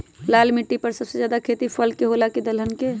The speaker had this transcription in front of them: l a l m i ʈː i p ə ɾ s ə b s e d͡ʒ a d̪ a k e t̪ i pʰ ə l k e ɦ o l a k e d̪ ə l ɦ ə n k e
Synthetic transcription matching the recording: l a l m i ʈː i p ə ɾ s ə b s e d͡ʒ a d̪ a kʰ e t̪ i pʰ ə l k e ɦ o l a k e d̪ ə l ɦ ə n k e